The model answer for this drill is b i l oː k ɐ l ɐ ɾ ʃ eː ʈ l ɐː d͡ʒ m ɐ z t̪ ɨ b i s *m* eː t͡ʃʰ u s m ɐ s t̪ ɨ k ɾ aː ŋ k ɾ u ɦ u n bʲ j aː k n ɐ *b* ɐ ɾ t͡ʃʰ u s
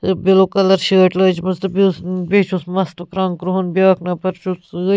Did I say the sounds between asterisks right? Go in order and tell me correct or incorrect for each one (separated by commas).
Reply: incorrect, incorrect